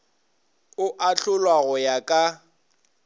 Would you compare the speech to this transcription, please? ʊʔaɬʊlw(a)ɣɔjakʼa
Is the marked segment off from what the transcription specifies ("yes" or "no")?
no